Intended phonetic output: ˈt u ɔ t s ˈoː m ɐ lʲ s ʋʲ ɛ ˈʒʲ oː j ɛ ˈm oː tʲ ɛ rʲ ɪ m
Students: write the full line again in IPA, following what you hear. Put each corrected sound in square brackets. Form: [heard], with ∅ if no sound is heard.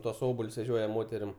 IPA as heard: ˈt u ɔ [∅] s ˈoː [b] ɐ lʲ s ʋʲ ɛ ˈʒʲ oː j ɛ ˈm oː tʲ ɛ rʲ ɪ m